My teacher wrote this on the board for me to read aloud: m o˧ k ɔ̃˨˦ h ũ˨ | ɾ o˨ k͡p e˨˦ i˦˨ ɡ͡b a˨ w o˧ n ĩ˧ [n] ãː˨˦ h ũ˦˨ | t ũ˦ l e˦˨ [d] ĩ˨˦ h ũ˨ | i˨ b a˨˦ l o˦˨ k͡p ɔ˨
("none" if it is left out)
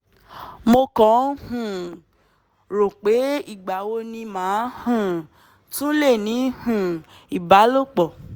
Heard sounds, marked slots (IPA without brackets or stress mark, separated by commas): m, n